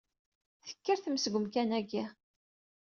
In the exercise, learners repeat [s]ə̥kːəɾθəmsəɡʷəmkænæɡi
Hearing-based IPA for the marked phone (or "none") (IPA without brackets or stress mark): θ